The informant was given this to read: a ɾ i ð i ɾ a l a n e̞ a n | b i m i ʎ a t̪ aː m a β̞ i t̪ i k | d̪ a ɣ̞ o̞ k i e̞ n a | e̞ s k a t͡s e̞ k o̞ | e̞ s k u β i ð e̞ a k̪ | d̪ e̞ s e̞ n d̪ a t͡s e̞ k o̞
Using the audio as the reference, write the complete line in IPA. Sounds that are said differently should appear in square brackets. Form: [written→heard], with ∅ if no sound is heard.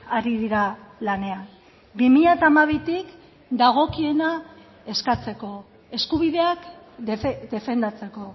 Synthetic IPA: a ɾ i ð i ɾ a l a n e̞ a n | b i m i ʎ a t̪ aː m a β̞ i t̪ i k | d̪ a ɣ̞ o̞ k i e̞ n a | e̞ s k a t͡s e̞ k o̞ | e̞ s k u β i ð e̞ a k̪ | d̪ e̞ [s→f] e̞ n d̪ a t͡s e̞ k o̞